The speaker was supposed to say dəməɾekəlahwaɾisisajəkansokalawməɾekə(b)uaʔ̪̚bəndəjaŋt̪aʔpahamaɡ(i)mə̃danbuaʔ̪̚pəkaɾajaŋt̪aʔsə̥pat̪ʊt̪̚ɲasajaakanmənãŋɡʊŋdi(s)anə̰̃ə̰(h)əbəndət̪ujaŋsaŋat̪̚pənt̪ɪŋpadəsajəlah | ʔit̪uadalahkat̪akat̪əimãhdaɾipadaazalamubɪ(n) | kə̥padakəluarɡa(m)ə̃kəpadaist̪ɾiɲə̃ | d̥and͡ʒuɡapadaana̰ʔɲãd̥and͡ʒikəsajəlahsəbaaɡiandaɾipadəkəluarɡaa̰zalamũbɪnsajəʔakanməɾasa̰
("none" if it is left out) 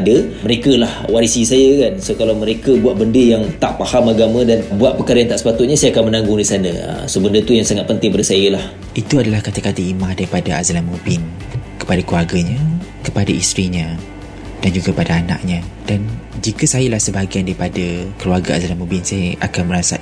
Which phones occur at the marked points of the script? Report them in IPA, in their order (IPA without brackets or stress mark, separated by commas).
b, a, s, s, n, ɲ